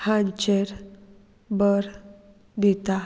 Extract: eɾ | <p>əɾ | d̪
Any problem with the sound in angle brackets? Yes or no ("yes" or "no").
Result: yes